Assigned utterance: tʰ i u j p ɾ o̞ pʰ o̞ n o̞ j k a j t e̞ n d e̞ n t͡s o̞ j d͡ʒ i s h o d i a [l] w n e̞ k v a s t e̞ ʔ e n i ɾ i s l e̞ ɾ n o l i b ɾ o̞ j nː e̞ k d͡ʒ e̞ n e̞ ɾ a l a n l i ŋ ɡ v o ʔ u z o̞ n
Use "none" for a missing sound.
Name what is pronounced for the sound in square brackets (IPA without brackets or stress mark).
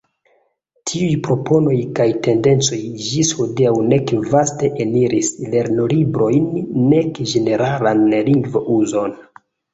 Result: none